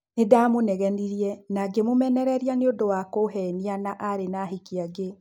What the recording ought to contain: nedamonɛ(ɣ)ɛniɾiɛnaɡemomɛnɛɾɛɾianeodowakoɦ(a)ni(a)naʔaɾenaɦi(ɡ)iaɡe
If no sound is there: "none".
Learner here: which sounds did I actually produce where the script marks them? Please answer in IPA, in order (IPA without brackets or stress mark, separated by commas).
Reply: ɣ, ɛ, a, k